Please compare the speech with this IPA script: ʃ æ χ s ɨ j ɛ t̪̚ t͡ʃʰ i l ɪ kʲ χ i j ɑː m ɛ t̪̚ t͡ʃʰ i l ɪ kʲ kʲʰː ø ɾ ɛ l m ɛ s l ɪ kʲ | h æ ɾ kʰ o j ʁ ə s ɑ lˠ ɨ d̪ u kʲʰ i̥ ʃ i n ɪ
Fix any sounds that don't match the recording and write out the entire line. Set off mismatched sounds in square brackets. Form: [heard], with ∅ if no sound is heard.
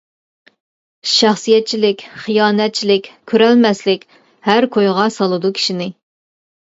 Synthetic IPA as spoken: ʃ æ χ s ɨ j ɛ t̪̚ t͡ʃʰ i l ɪ kʲ χ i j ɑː [n] ɛ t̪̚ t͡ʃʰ i l ɪ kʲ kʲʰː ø ɾ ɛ l m ɛ s l ɪ kʲ | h æ ɾ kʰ o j ʁ [ɑ] s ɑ lˠ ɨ d̪ u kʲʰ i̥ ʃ i n ɪ